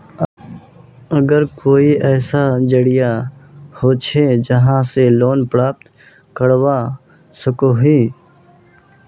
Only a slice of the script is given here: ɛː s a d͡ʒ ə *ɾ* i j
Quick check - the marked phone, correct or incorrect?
incorrect